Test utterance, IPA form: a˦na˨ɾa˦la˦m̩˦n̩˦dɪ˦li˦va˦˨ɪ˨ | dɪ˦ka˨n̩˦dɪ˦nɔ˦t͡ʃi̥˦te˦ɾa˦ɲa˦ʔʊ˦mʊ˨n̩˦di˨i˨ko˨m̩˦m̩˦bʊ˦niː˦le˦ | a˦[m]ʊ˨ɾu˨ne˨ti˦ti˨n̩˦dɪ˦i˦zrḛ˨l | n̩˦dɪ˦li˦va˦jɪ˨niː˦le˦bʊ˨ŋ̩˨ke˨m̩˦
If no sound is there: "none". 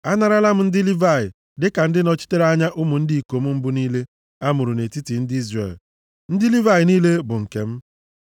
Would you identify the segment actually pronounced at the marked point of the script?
m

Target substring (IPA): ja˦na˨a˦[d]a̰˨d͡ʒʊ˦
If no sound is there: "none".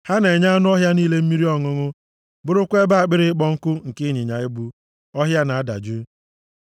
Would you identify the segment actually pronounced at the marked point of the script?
d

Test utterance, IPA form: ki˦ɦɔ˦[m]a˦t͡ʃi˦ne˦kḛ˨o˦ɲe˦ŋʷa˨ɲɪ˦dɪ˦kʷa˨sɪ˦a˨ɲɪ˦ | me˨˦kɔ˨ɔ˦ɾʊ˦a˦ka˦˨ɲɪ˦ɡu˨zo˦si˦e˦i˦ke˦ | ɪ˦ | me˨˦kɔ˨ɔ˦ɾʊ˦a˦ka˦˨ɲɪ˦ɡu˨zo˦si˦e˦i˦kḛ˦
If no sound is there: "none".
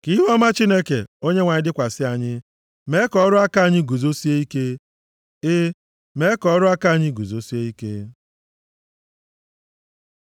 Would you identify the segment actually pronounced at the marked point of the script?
m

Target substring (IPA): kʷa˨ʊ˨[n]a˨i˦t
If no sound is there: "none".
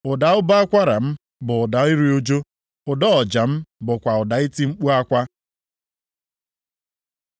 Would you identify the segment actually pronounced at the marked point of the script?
d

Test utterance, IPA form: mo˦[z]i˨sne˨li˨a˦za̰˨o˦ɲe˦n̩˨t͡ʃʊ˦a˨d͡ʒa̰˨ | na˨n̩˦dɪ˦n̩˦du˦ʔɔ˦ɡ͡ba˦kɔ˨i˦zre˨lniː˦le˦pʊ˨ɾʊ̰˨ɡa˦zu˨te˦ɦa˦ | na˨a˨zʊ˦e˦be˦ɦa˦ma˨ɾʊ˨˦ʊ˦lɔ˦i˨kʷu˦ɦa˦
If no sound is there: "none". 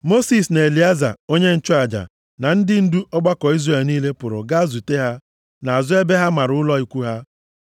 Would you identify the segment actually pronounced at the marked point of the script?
s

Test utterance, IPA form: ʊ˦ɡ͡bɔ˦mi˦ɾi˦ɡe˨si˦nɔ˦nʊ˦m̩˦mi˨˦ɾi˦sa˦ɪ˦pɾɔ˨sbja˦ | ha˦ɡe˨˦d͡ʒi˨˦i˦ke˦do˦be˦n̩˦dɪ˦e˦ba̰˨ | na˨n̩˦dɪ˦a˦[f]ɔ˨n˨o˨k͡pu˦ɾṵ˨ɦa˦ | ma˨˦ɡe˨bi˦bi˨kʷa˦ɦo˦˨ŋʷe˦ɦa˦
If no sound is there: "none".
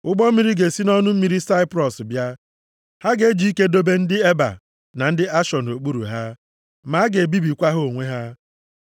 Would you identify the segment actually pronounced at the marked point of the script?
ʃ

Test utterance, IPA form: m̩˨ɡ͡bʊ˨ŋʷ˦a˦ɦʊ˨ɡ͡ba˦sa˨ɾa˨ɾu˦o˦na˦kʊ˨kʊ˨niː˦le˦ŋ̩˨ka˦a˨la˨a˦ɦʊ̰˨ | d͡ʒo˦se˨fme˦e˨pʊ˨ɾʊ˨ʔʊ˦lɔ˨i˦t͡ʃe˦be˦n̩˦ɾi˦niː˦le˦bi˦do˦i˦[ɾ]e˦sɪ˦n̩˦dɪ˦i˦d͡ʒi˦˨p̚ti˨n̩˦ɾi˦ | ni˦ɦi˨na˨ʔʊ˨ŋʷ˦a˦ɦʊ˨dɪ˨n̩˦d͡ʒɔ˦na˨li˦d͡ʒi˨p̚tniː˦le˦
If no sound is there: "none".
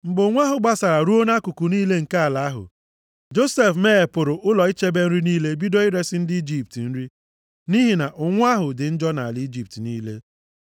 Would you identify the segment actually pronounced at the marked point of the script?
ɾ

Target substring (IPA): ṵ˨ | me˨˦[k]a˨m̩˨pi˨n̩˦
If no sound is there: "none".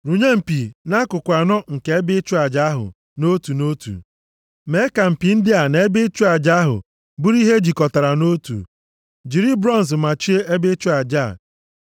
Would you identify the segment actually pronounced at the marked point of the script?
k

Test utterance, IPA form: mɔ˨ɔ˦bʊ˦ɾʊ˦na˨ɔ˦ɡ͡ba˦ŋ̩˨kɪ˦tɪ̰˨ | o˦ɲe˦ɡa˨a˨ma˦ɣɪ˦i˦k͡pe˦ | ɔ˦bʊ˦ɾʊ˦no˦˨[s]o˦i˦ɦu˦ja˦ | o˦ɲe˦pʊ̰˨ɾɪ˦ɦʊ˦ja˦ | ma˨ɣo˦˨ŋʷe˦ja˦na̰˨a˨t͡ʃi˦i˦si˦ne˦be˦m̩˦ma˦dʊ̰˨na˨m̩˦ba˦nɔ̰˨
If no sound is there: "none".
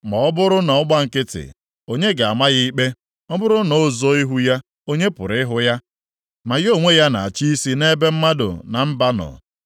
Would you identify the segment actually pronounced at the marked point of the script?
z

